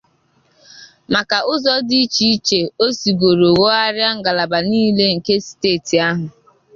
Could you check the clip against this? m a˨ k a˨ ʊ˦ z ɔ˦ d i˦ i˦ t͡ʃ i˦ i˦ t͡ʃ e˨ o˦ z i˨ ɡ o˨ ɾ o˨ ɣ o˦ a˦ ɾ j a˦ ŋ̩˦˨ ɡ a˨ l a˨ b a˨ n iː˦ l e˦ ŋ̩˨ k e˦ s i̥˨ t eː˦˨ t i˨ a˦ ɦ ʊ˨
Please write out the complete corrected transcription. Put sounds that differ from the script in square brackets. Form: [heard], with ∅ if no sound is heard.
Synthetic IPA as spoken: m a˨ k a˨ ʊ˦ z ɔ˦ d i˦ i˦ t͡ʃ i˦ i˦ t͡ʃ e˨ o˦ [s] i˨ ɡ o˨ ɾ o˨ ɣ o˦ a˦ ɾ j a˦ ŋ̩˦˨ ɡ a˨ l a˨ b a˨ n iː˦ l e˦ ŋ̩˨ k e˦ s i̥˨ t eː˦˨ t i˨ a˦ ɦ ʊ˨